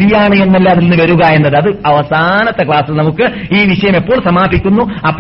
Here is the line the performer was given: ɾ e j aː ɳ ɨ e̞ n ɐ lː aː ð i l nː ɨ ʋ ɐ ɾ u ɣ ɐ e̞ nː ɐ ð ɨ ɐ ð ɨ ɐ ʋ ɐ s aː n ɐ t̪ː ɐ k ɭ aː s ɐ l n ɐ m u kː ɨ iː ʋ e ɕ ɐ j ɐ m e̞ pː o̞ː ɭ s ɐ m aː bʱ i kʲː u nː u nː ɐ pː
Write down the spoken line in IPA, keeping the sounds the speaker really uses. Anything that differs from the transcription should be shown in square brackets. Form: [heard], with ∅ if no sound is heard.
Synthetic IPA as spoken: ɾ [i] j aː ɳ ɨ e̞ [nː] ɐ lː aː ð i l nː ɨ ʋ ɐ ɾ u ɣ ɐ e̞ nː ɐ ð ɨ ɐ ð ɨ ɐ ʋ ɐ s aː n ɐ t̪ː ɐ k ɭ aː s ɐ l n ɐ m u kː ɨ iː ʋ [i] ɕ ɐ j ɐ m e̞ pː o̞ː ɭ s ɐ m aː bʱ i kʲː u nː u [∅] ɐ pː